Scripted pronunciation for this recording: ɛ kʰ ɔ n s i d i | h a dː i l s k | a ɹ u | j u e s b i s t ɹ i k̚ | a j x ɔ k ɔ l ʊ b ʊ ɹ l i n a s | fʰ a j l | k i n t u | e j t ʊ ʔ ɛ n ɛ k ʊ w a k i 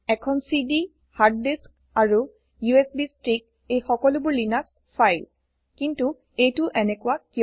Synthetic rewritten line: ɛ kʰ ɔ n s i d i | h a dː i s k | a ɹ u | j u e s b i s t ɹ i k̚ | e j x ɔ k ɔ l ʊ b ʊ ɹ l i n a s | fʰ a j l | k i n t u | e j t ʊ ʔ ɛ n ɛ k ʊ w a k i